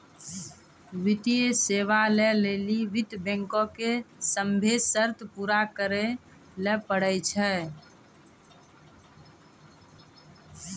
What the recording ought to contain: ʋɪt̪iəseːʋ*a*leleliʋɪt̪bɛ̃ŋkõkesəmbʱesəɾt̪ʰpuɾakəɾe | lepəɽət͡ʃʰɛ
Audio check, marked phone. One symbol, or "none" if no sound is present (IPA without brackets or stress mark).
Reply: a